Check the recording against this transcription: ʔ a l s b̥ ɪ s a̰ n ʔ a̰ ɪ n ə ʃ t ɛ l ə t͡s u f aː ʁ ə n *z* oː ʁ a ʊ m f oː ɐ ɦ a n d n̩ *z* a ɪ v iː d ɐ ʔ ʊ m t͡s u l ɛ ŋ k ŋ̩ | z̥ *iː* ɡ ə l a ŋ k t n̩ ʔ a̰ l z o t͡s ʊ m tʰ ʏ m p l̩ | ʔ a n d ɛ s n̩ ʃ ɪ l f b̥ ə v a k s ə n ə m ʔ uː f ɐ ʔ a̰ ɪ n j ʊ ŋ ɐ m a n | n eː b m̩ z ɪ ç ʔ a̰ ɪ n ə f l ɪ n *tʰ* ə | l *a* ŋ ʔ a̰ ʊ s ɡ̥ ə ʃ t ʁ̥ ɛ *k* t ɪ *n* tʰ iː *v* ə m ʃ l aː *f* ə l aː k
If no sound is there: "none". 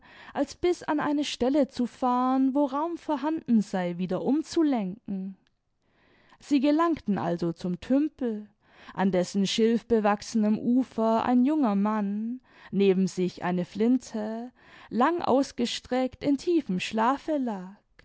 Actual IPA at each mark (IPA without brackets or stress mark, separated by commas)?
v, z, iː, tʰ, a, k, n, f, f